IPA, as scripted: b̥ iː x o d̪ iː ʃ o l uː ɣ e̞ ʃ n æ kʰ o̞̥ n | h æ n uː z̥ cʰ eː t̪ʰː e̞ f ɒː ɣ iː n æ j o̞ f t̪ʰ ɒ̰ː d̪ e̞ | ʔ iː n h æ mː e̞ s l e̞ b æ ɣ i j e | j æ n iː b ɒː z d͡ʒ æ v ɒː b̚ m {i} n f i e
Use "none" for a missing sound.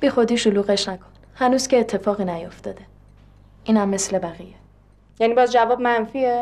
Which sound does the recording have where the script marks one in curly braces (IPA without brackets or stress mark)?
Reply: æ